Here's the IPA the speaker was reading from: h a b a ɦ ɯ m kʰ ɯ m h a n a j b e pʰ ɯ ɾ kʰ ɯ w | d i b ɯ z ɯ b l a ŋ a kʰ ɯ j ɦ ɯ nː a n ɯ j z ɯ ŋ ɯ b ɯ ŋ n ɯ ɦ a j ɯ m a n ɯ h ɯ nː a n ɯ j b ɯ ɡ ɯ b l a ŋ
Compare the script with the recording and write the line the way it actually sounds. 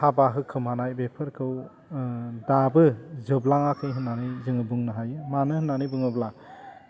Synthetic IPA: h a b a ɦ ɯ kʰ ɯ m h a n a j b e pʰ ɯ ɾ kʰ ɯ w | d a b ɯ z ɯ b l a ŋ a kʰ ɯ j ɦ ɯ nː a n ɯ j z ɯ ŋ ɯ b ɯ ŋ n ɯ ɦ a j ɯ m a n ɯ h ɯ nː a n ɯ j b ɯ ŋ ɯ b l a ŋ